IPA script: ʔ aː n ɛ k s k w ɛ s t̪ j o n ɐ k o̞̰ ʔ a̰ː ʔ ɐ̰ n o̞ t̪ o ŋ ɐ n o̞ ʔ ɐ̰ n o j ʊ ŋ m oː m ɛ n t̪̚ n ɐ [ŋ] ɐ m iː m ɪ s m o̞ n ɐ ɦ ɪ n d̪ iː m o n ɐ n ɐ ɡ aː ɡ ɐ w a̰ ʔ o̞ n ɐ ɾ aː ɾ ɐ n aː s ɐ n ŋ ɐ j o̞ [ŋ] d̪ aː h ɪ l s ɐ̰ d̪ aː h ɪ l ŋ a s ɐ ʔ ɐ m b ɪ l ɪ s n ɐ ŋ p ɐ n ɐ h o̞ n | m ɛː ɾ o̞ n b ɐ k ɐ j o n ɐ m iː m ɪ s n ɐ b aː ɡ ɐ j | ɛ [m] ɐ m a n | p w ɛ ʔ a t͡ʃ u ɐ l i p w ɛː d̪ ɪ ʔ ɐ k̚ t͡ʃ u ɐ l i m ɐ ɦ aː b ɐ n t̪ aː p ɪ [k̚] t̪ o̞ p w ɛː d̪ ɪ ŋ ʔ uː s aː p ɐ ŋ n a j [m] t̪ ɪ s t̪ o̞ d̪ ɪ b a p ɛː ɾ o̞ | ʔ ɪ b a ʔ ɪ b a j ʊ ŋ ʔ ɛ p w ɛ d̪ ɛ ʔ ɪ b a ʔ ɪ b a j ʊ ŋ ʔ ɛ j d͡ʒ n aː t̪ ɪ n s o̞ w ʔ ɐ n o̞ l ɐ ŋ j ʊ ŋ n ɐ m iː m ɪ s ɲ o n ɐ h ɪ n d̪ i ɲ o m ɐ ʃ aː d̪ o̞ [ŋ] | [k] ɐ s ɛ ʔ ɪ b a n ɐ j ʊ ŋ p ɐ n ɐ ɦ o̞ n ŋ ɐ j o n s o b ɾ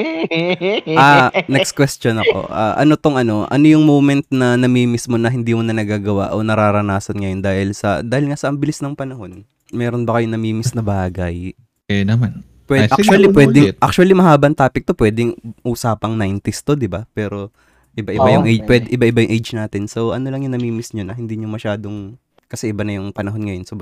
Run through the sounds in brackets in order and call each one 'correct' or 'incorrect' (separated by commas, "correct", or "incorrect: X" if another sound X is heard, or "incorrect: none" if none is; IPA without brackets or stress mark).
incorrect: n, incorrect: n, incorrect: n, correct, incorrect: n, correct, correct